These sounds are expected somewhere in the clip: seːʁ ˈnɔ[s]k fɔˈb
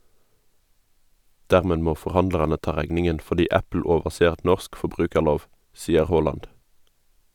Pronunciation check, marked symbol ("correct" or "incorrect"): correct